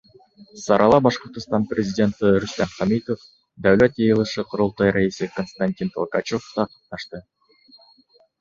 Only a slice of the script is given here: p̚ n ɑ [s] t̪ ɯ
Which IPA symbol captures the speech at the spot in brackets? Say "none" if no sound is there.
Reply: ʃ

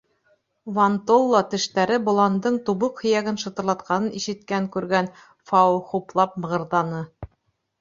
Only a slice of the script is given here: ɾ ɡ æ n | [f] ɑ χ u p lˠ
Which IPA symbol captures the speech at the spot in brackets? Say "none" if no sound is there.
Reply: f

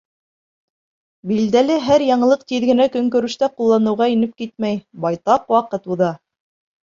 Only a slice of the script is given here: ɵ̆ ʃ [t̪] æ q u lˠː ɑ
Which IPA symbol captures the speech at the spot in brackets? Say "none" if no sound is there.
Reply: t̪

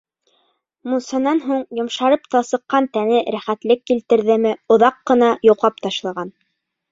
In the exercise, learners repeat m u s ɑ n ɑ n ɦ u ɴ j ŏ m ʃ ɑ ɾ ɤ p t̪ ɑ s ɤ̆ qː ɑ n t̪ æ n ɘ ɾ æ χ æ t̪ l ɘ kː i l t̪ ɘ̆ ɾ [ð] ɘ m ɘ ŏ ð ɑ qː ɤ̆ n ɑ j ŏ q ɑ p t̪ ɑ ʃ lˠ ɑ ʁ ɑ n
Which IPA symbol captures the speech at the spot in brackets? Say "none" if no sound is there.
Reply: ð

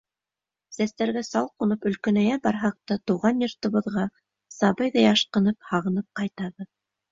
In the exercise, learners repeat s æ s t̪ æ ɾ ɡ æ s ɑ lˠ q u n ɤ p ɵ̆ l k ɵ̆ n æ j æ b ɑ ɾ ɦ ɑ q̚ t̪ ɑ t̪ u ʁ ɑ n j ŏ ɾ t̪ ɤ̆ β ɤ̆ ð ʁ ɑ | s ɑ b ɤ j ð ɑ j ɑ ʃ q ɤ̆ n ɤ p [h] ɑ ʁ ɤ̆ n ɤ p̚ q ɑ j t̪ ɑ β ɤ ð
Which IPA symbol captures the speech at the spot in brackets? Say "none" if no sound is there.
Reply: h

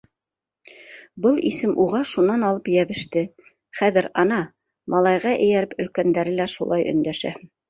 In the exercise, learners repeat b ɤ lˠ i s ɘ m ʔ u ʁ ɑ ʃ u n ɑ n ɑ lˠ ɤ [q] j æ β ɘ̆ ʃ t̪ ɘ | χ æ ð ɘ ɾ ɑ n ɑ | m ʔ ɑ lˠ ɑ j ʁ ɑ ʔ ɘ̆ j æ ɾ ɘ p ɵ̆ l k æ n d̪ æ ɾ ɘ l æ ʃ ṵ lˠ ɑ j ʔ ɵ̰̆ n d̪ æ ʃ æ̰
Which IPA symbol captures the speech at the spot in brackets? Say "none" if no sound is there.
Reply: p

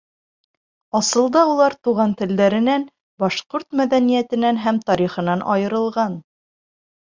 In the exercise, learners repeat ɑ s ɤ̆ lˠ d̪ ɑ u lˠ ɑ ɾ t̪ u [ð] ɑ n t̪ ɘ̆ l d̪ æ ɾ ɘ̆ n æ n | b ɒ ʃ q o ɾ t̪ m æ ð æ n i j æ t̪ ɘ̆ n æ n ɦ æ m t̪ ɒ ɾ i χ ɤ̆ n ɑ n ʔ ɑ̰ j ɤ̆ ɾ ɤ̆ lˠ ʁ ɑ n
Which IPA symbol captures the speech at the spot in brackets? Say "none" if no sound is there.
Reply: ʁ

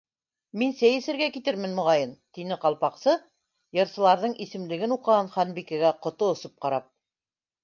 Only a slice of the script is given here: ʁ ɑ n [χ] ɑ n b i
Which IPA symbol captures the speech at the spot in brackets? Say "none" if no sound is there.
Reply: χ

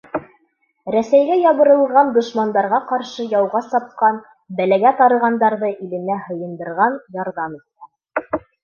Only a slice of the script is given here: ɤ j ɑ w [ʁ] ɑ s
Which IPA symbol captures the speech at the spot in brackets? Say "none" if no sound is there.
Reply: ʁ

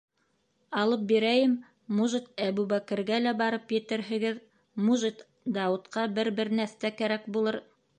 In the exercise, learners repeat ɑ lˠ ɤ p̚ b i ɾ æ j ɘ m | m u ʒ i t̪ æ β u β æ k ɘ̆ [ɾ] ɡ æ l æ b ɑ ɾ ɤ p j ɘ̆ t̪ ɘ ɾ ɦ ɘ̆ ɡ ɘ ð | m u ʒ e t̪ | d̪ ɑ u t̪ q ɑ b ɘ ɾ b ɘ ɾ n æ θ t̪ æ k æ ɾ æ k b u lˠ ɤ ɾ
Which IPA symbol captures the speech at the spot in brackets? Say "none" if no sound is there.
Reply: ɾ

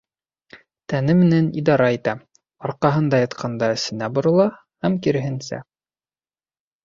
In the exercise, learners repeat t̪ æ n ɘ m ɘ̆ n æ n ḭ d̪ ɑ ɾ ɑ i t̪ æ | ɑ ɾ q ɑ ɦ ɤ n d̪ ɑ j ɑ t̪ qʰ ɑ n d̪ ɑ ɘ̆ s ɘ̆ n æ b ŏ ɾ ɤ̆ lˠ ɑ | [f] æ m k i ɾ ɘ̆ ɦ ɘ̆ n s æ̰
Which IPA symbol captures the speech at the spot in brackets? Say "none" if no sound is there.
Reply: h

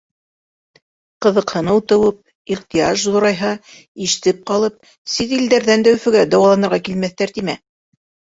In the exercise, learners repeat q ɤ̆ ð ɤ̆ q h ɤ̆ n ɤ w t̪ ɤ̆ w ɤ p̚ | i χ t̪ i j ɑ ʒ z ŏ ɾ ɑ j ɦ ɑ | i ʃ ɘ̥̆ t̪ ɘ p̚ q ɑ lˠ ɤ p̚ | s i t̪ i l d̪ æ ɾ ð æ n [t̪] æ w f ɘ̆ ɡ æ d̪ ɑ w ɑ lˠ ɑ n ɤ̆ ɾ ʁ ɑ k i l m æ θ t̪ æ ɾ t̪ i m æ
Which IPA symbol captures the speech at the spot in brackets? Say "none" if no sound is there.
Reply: d̪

